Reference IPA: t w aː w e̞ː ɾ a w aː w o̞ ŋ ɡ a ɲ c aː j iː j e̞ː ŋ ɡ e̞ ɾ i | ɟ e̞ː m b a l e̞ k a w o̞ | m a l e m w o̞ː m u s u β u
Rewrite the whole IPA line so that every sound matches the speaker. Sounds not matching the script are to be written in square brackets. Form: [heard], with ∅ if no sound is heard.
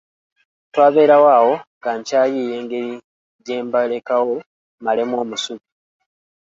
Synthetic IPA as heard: t w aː [β] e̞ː ɾ a w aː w o̞ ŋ ɡ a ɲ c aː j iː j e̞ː ŋ ɡ e̞ ɾ i | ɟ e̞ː m b a l e̞ k a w o̞ | m a l e m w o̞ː m u s u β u

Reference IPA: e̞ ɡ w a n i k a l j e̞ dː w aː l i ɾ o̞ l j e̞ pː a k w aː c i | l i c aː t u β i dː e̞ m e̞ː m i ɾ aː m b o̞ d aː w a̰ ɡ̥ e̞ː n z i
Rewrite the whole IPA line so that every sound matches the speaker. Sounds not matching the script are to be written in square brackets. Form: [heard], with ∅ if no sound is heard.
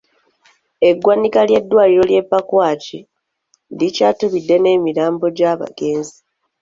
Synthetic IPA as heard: e̞ ɡ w a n i k a l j e̞ dː w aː l i ɾ o̞ l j e̞ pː a k w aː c i | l i c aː t u β i dː e̞ [n] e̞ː m i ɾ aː m b o̞ [ɟ] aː [β] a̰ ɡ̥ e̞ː n z i

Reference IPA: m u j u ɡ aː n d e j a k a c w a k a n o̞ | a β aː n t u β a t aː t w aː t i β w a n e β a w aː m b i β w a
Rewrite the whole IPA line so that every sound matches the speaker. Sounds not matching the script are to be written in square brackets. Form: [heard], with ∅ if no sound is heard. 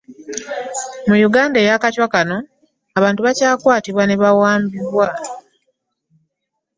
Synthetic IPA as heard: m u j u ɡ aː n d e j a k a c w a k a n o̞ | a β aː n t u β a [c] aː [k] w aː t i β w a n e β a w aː m b i β w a

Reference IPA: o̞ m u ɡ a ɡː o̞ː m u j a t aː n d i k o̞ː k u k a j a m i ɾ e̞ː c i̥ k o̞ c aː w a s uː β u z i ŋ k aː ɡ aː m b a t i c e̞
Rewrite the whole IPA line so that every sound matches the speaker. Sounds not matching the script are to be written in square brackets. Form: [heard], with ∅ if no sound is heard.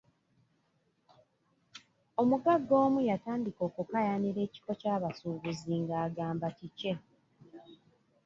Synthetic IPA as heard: o̞ m u ɡ a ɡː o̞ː m u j a t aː n d i k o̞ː k u k a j a [n] i ɾ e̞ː c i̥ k o̞ c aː [β] a s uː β u z i ŋ [ɡ] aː ɡ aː m b a t i c e̞

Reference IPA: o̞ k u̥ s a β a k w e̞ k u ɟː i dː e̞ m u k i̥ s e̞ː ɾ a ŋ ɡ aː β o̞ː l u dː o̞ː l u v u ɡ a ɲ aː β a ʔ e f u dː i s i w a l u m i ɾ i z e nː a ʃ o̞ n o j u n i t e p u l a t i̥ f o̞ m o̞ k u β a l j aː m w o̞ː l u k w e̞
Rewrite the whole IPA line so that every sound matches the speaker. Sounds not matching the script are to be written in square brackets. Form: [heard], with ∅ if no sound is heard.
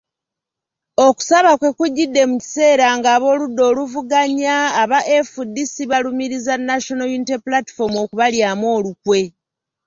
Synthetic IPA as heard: o̞ k u̥ s a β a k w e̞ k u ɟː i dː e̞ m u [c] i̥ s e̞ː ɾ a ŋ ɡ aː β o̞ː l u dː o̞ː l u v u ɡ a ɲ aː β a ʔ e f u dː i s i [β] a l u m i ɾ i z [a] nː a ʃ o̞ n o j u n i t e p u l a t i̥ f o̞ m o̞ k u β a l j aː m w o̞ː l u k w e̞

